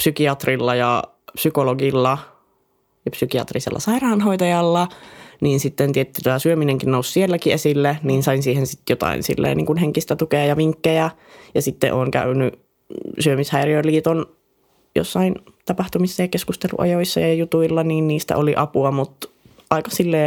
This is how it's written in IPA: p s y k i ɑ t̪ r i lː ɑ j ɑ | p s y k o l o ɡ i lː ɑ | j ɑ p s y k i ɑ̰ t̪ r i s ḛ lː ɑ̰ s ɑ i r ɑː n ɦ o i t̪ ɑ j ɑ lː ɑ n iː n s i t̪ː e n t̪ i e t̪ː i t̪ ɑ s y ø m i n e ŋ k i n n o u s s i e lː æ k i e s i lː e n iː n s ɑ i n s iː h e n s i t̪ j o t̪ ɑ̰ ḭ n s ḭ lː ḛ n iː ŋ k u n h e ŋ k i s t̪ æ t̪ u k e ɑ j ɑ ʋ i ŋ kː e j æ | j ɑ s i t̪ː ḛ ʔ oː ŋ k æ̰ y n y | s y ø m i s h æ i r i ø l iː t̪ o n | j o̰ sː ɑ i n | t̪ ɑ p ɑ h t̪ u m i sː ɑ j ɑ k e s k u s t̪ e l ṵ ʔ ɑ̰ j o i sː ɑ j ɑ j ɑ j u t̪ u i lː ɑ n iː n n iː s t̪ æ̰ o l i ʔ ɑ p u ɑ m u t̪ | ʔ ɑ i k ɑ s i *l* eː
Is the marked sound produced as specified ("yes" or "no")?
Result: no